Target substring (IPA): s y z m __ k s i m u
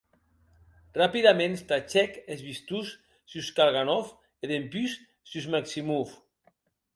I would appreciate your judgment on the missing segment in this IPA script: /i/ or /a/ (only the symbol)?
a